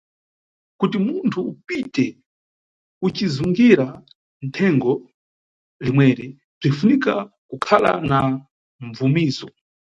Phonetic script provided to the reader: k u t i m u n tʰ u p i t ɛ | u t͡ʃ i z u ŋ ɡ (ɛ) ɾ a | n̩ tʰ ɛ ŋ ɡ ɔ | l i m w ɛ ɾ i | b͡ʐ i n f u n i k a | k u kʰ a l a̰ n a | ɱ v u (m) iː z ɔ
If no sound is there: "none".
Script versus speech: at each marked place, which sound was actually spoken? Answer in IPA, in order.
i, m

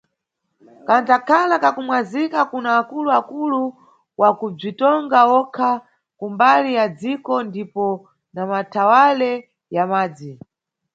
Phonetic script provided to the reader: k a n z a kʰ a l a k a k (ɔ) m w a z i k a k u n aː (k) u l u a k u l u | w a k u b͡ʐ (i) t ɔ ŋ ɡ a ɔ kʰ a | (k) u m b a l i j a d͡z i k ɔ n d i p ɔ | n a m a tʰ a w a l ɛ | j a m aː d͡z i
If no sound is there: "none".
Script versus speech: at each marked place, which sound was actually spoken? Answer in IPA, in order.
u, k, i, k

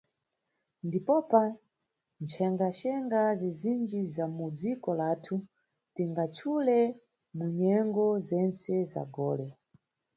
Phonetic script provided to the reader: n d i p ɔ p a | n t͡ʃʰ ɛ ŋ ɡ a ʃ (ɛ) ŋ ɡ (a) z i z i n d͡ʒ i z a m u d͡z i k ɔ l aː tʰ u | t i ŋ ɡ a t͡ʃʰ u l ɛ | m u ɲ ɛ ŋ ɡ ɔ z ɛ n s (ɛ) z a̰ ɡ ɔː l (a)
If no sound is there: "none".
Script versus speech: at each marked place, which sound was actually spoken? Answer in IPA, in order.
ɛ, a, ɛ, ɛ

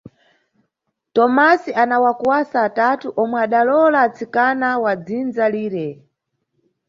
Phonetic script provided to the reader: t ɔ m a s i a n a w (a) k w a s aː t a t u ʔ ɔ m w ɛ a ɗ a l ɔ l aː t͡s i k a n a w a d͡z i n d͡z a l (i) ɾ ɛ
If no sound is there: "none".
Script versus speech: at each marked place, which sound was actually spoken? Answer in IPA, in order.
a, iː

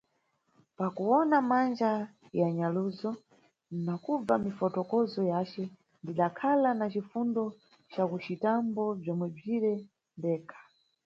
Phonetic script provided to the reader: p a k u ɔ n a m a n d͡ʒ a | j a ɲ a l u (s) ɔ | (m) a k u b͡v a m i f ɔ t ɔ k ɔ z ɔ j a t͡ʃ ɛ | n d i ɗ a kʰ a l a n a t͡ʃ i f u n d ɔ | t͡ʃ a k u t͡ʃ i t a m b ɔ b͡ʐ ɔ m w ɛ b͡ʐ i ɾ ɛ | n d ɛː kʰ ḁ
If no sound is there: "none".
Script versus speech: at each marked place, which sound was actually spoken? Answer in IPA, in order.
z, n

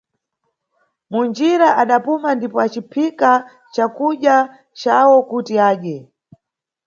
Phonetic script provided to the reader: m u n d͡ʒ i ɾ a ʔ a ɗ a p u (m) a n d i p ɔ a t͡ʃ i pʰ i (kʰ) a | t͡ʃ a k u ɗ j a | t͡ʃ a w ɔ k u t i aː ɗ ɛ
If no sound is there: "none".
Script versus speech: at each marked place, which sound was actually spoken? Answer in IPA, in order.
m, k

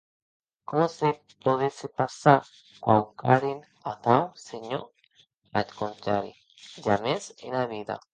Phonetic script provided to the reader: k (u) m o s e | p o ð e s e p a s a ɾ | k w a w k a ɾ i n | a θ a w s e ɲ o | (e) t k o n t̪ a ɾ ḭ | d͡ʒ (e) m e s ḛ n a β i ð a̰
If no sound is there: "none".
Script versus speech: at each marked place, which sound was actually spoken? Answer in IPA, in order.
o, a, a

